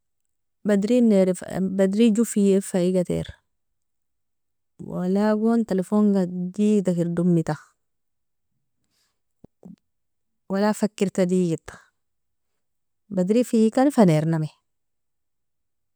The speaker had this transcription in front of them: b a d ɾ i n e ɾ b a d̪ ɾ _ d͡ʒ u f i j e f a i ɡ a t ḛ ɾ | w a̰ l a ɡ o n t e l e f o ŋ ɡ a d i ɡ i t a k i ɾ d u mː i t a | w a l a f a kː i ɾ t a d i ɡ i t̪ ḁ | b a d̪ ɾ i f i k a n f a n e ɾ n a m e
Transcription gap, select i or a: i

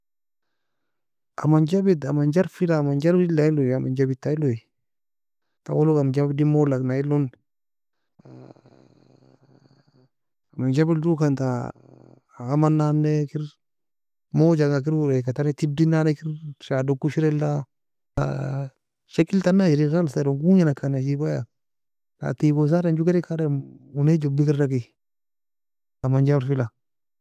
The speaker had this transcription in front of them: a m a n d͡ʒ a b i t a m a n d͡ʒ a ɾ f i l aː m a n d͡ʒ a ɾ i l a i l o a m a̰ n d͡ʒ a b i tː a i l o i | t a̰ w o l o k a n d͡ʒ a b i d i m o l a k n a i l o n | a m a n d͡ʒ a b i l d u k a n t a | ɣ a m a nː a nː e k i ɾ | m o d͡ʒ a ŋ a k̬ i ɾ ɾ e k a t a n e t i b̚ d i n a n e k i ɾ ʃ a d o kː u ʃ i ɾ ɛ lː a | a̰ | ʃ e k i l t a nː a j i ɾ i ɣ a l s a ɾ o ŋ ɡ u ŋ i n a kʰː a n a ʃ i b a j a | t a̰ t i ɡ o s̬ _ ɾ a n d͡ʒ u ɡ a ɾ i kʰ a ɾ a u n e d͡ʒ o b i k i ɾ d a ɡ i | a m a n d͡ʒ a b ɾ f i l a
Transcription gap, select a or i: a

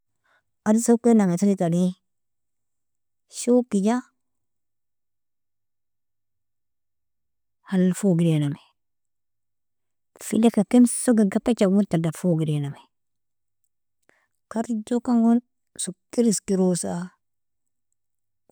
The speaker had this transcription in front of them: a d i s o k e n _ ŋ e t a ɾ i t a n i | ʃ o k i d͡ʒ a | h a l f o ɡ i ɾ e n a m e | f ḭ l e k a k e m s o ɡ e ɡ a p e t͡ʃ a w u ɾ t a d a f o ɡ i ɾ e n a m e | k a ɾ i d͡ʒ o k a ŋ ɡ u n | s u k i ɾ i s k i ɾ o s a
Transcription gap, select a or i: a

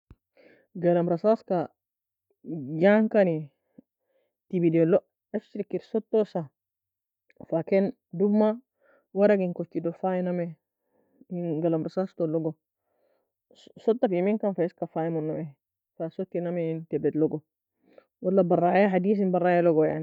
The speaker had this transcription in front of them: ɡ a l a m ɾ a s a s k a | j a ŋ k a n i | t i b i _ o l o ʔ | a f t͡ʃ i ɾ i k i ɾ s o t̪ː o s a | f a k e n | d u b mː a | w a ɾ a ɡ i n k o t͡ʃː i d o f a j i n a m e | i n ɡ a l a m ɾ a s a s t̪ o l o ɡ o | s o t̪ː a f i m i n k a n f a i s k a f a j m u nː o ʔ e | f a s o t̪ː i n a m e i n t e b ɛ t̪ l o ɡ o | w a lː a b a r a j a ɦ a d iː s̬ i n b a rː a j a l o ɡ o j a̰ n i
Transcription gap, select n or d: d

